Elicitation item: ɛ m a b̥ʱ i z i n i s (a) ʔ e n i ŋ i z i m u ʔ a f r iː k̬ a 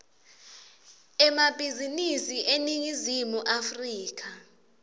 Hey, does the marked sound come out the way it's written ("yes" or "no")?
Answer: no